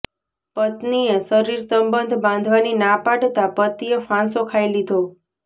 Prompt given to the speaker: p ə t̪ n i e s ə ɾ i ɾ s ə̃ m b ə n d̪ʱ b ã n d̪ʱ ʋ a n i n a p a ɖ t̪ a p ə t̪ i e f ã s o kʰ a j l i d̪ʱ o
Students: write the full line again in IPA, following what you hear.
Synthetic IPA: p ə t̪ n i e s ə ɾ i ɾ s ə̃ m b ə n d̪ʱ b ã n d̪ʱ ʋ a n i n a p a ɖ t̪ a p ə t̪ i e f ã s o kʰ a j l i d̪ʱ o